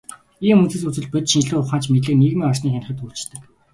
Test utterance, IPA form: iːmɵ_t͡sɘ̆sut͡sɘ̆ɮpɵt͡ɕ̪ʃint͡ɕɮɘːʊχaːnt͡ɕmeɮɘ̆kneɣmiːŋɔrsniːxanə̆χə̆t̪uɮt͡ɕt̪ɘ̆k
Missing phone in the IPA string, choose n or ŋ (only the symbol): n